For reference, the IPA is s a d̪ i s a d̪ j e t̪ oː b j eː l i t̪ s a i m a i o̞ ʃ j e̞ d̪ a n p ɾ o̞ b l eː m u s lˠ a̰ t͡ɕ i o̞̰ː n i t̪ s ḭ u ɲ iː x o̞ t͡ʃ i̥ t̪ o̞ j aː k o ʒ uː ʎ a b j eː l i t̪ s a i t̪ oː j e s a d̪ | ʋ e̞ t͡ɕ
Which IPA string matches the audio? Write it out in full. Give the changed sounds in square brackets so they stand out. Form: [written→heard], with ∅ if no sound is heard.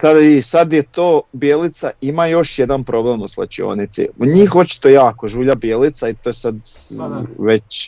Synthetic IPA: s a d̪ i s a d̪ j e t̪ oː b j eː l i t̪ s a i m a [i→j] o̞ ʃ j e̞ d̪ a n p ɾ o̞ b l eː m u s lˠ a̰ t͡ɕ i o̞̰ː n i t̪ s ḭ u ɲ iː x o̞ t͡ʃ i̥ t̪ o̞ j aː k o ʒ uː ʎ a b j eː l i t̪ s a i t̪ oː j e s a d̪ | ʋ e̞ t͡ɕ